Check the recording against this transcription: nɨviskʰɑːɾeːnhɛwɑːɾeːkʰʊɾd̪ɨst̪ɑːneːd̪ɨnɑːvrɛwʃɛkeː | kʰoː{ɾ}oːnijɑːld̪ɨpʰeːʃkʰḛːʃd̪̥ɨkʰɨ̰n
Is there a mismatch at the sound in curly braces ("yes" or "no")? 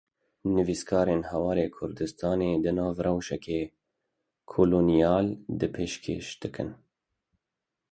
yes